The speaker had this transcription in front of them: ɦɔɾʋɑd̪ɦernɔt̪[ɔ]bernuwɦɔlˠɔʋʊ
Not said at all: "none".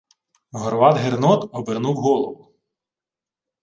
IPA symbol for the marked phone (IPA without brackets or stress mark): ɔ